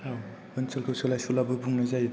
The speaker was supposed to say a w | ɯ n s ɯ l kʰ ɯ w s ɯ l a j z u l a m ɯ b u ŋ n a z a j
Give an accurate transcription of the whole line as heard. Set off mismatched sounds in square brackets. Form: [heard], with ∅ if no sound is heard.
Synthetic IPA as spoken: a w | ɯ n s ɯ l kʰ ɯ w s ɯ l a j [s] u l a [b] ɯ b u ŋ n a z a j